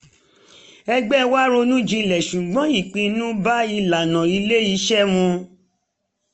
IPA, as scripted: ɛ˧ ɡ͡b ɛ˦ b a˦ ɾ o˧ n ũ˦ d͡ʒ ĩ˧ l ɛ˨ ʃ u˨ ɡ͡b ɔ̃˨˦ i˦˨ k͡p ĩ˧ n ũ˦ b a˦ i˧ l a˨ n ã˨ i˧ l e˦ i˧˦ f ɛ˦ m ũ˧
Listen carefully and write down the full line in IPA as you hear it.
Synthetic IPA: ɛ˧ ɡ͡b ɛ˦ w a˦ ɾ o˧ n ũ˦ d͡ʒ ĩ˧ l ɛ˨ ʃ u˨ ɡ͡b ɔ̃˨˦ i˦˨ k͡p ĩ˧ n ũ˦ b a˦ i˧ l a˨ n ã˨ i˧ l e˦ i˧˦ ʃ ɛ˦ m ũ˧